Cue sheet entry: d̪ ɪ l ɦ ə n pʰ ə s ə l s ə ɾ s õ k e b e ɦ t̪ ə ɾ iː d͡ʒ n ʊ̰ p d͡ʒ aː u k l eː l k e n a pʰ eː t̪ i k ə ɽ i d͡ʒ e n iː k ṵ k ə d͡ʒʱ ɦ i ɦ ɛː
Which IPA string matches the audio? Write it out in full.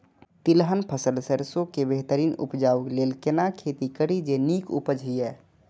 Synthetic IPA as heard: t̪ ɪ l ɦ ə n pʰ ə s ə l s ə ɾ s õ k e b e ɦ t̪ ə ɾ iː n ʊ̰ p d͡ʒ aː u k l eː l k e n a kʰ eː t̪ i k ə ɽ i d͡ʒ e n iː k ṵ p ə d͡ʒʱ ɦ i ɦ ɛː